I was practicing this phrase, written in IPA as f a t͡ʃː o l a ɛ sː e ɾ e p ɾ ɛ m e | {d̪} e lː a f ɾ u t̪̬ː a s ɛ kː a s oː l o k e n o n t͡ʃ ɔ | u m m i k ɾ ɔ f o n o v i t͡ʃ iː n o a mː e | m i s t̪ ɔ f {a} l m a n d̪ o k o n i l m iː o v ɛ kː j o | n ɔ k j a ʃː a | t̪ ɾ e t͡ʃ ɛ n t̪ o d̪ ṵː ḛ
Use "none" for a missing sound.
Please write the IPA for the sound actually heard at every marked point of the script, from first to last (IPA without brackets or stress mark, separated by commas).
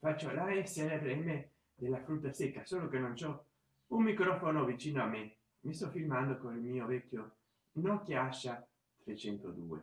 d̪, i